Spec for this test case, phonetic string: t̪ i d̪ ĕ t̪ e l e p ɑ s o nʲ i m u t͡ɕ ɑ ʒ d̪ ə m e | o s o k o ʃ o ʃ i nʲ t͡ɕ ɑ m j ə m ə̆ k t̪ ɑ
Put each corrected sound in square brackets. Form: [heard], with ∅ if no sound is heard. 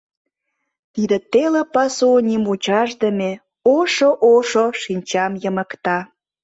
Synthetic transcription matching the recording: t̪ i d̪ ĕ t̪ e l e p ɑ s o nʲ i m u t͡ɕ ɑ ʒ d̪ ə m e | o [ʃ] o [ʔ] o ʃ o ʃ i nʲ t͡ɕ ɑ m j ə m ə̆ k t̪ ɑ